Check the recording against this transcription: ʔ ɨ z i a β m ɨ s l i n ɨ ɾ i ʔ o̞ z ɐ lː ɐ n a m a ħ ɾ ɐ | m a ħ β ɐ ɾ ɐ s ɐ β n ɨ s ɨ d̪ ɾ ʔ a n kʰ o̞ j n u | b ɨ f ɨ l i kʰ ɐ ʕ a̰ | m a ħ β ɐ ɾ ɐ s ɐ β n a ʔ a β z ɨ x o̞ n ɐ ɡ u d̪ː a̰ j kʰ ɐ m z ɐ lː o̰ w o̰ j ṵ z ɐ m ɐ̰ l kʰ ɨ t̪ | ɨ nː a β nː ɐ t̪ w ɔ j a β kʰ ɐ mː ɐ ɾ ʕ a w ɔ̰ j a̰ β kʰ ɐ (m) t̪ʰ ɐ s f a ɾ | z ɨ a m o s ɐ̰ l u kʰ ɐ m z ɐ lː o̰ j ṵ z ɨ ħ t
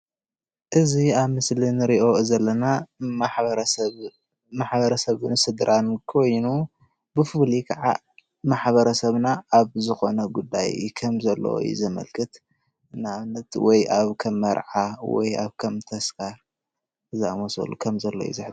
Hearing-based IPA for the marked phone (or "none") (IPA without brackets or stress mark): m